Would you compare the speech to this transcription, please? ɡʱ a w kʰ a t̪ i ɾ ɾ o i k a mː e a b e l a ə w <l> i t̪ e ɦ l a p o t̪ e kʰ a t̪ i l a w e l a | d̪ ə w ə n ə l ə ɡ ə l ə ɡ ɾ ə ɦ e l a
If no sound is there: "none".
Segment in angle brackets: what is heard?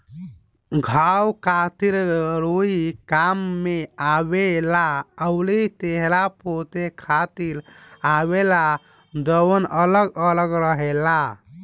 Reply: l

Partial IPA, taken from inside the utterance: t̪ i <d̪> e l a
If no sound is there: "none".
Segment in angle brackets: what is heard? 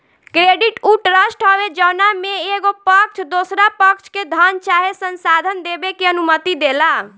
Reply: d̪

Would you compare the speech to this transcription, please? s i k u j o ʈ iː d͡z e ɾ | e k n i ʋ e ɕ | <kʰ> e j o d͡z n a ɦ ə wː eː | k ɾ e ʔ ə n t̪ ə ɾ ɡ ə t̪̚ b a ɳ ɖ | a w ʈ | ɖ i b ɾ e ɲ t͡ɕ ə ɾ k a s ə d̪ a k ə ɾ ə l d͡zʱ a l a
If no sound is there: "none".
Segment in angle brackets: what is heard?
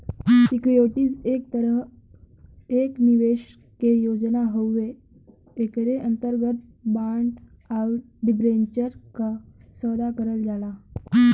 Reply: k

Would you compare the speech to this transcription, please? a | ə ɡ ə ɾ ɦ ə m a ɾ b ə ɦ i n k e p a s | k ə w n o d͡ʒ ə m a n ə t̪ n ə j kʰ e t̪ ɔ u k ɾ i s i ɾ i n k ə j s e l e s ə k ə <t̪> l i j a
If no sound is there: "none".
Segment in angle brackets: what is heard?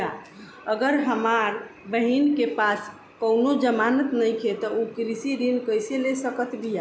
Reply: t̪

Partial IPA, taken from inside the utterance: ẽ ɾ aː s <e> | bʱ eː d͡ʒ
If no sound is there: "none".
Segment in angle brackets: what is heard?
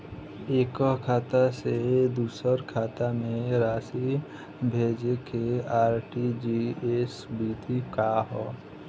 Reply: i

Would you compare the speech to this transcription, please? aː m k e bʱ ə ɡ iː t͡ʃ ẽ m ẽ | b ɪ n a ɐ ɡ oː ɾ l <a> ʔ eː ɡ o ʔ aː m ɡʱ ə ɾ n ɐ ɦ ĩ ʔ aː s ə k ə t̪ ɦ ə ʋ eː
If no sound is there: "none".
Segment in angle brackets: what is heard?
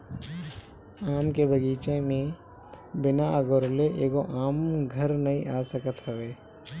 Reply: e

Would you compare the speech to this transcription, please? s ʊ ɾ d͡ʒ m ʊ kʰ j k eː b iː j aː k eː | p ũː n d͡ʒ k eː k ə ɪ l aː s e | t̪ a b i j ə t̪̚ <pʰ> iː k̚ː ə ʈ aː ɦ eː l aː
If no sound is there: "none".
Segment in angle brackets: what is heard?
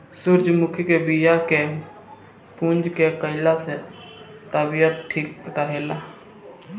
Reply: ʈʰ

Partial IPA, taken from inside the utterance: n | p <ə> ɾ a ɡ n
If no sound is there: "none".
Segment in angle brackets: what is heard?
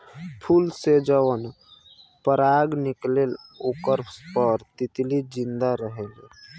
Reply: ə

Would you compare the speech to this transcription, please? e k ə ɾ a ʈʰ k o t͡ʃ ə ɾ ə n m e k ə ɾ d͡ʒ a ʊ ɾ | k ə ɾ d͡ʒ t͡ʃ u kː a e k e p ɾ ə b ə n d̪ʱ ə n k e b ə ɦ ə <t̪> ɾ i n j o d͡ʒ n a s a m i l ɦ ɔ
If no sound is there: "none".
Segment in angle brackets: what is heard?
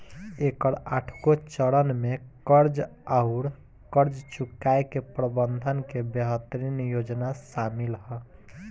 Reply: t̪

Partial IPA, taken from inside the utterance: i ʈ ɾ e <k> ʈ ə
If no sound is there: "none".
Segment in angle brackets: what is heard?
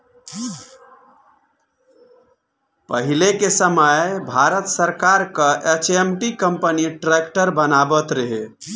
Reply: k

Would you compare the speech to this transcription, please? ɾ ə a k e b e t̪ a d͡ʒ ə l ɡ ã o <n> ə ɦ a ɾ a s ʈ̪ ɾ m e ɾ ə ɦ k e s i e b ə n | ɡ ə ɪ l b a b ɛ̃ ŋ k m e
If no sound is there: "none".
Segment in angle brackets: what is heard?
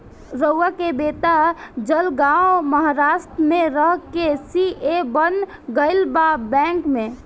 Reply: m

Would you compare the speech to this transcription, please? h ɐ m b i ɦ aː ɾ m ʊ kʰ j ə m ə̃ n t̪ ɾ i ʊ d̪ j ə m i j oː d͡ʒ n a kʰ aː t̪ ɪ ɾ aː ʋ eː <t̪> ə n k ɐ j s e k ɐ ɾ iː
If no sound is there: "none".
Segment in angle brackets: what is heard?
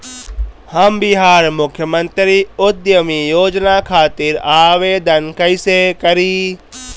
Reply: d̪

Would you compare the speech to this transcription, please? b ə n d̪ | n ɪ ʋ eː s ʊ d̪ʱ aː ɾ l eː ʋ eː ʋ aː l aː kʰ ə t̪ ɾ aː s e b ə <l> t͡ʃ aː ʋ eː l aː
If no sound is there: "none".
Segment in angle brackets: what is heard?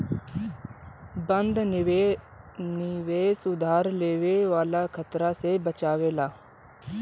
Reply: none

